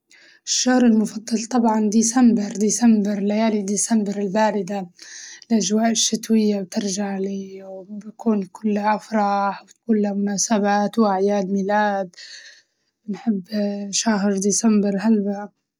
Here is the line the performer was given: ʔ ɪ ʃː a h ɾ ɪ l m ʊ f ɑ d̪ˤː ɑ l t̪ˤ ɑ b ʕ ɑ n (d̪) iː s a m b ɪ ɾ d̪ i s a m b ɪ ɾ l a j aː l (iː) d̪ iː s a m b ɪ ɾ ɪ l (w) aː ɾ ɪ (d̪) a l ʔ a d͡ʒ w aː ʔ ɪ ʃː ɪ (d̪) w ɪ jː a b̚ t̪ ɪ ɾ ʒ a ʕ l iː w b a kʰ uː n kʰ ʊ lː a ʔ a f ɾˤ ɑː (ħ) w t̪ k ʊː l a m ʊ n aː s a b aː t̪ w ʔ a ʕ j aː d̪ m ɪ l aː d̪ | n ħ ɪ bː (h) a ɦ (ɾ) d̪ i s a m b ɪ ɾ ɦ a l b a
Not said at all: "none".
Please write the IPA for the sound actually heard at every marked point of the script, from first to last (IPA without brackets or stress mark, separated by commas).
d̪, i, b, d̪, t̪, ħ, ʃ, ɾ